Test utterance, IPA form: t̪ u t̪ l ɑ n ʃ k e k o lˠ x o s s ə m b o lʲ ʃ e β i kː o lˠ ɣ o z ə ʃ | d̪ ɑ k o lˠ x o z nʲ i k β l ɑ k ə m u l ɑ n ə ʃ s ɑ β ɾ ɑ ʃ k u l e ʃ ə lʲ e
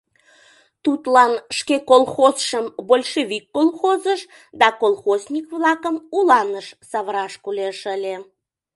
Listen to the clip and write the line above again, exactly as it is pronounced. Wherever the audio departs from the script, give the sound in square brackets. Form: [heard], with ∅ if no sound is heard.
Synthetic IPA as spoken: t̪ u t̪ l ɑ n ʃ k e k o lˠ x o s [ʃ] ə m b o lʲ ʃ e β i kː o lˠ [x] o z ə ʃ | d̪ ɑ k o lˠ x o z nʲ i k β l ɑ k ə m u l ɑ n ə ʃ s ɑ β ɾ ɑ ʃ k u l e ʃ ə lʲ e

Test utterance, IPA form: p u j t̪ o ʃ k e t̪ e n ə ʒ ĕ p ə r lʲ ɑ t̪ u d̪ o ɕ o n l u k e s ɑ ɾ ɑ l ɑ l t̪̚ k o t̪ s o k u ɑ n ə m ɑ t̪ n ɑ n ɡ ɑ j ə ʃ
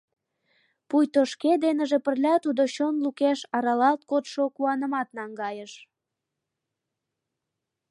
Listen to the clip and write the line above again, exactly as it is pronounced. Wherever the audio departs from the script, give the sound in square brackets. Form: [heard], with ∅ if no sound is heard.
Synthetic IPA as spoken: p u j t̪ o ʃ k e [d̪] e n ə ʒ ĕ p ə r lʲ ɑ t̪ u d̪ o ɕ o n l u k e [ʃ] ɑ ɾ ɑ l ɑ l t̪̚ k o t̪ [ʃ] o k u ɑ n ə m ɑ t̪ n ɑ [ŋ] ɡ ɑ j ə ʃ

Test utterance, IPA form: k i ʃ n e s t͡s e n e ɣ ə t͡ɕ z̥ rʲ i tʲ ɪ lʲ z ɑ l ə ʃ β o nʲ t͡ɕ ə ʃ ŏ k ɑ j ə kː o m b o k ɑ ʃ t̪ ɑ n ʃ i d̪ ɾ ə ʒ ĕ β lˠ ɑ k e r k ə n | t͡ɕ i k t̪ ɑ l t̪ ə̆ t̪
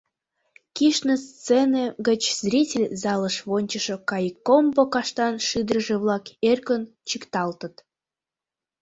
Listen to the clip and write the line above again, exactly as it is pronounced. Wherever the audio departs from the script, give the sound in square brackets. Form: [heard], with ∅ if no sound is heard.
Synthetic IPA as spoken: k i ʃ n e s t͡s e n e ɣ ə t͡ɕ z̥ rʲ i tʲ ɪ lʲ z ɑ l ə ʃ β o nʲ t͡ɕ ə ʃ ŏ k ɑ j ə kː o m b o k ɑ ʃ t̪ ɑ n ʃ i d̪ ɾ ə ʒ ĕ β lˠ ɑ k e r k ə n | t͡ɕ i k t̪ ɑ l t̪ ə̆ t̪

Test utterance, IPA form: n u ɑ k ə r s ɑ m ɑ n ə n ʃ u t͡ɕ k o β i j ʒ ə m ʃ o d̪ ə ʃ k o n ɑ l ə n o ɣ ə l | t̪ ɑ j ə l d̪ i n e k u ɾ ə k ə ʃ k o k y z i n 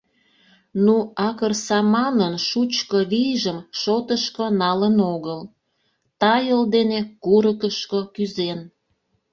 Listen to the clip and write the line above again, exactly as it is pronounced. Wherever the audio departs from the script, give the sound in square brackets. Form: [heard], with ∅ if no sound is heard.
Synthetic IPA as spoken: n u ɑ k ə r s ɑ m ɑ n ə n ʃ u t͡ɕ k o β i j ʒ ə m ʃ o [t̪] ə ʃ k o n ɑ l ə n o ɣ ə l | t̪ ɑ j ə l d̪ [e] n e k u ɾ ə k ə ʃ k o k y z [e] n

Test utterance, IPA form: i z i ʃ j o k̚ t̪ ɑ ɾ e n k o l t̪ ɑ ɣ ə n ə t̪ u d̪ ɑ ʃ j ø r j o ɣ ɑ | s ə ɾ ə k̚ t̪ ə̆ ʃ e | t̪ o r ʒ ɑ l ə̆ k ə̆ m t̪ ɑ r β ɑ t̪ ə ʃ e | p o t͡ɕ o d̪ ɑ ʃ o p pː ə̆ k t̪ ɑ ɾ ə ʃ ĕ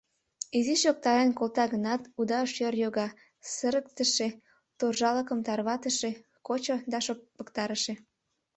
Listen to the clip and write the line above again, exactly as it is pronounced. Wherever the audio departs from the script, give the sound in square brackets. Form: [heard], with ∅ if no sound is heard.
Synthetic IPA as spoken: i z i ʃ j o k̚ t̪ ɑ ɾ e n k o l t̪ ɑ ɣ ə n [ɑ] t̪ u d̪ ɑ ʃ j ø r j o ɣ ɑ | s ə ɾ ə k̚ t̪ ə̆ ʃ e | t̪ o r ʒ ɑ l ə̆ k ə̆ m t̪ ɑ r β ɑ t̪ ə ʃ e | [k] o t͡ɕ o d̪ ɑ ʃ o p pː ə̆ k t̪ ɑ ɾ ə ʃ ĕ

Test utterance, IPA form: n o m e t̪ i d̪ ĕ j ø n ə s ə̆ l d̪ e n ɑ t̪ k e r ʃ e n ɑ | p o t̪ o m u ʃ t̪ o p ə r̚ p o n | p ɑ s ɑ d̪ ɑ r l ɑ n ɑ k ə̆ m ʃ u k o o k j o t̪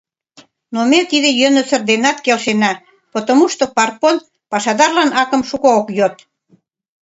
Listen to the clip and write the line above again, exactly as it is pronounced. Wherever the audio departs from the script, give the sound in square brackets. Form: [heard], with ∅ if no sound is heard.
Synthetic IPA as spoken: n o m e t̪ i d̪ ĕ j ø n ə s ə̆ [r] d̪ e n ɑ t̪ k e [l] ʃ e n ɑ | p o t̪ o m u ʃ t̪ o p [ɑ] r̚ p o n | p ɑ [ʃ] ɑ d̪ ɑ r l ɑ n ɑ k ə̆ m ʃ u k o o k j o t̪

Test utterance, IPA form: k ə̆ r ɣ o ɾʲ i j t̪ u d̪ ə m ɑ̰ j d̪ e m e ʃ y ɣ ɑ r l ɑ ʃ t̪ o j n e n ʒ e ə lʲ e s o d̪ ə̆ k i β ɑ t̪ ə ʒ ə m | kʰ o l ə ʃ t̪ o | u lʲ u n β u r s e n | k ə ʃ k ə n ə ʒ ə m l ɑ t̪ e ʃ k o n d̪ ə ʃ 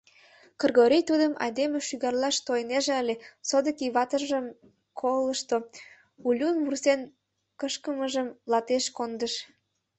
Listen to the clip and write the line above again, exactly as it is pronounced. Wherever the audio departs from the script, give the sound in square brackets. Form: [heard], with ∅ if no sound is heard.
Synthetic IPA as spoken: k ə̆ r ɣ o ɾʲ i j t̪ u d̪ ə m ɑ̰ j d̪ e m e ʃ y ɣ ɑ r l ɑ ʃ t̪ o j n e [∅] ʒ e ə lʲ e s o d̪ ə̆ k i β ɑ t̪ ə ʒ ə m | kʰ o l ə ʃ t̪ o | u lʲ u n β u r s e n | k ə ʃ k ə [m] ə ʒ ə m l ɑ t̪ e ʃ k o n d̪ ə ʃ

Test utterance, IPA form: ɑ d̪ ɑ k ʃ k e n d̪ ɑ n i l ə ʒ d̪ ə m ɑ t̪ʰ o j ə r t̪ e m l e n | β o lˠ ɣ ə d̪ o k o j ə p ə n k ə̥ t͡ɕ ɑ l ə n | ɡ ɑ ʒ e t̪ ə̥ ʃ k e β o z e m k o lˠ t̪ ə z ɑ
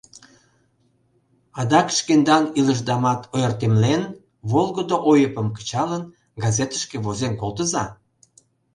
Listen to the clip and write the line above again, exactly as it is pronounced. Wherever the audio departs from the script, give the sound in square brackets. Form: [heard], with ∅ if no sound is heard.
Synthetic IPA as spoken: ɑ d̪ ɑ k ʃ k e n d̪ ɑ n i l ə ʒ d̪ [ɑ] m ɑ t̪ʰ o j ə r t̪ e m l e n | β o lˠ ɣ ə d̪ o [ʔ] o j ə p ə [m] k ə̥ t͡ɕ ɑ l ə n | ɡ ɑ [z] e t̪ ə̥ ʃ k e β o z e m k o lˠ t̪ ə z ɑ

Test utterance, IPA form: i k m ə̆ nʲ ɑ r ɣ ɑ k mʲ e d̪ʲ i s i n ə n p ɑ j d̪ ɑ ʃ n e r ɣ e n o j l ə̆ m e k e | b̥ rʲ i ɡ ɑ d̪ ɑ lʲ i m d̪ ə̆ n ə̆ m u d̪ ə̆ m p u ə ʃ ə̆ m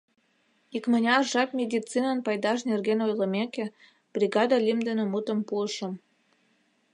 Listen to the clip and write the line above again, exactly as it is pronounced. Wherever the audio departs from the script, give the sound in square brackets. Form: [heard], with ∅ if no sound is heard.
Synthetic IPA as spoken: i k m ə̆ nʲ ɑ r [ʒ] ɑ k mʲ e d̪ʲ i [t͡s] i n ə n p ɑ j d̪ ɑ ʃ n e r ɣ e n o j l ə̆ m e k e | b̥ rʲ i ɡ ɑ d̪ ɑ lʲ i m d̪ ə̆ n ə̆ m u [t̪] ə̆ m p u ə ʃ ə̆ m

